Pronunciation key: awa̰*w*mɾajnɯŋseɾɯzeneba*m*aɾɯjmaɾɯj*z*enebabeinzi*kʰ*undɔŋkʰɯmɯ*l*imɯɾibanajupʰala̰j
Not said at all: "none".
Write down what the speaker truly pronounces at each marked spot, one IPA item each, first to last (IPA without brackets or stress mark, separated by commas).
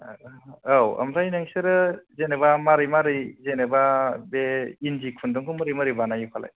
none, m, z, kʰ, ɾ